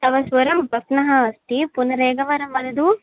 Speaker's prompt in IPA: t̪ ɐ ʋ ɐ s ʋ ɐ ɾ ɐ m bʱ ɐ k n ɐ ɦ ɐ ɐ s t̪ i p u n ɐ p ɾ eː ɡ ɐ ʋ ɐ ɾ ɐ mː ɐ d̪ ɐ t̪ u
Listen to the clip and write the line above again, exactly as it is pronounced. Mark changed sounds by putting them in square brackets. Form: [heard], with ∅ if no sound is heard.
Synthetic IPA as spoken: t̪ ɐ ʋ ɐ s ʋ ɐ ɾ ɐ m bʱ ɐ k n ɐ ɦ ɐ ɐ s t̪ i p u n ɐ [∅] ɾ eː ɡ ɐ ʋ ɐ ɾ ɐ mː ɐ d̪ ɐ [d̪] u